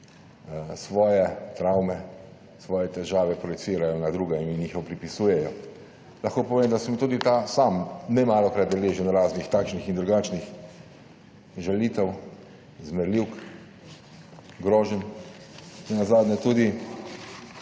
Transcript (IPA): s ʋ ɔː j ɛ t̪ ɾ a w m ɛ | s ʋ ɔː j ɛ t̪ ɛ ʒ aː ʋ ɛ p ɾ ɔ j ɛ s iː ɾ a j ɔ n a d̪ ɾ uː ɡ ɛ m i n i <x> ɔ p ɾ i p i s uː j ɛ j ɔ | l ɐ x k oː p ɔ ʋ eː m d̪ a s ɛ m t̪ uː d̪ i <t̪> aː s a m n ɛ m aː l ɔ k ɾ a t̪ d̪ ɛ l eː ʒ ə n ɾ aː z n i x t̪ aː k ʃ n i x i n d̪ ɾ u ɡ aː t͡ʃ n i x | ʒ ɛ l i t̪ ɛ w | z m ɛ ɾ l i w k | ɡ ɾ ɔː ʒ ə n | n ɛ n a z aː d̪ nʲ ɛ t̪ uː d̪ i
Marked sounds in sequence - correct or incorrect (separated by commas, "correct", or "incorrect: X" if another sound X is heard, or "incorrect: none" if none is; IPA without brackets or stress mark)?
correct, correct